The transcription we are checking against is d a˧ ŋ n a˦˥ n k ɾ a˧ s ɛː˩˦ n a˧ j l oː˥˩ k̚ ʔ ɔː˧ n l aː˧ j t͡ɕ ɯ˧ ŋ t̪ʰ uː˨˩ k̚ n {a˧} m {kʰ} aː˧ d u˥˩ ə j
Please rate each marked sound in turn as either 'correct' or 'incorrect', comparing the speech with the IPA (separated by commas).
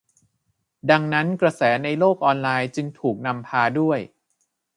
correct, incorrect